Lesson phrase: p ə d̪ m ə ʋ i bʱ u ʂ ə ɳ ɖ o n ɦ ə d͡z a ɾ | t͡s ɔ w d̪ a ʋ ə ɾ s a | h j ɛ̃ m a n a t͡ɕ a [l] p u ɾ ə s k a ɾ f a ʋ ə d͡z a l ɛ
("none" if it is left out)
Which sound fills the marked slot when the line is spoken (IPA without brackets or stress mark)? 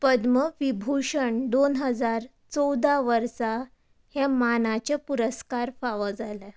none